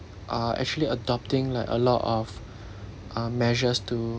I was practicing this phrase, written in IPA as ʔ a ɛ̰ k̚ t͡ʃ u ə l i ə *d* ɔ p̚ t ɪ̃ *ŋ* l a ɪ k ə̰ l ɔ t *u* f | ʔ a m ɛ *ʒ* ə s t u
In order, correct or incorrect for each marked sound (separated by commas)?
correct, correct, incorrect, correct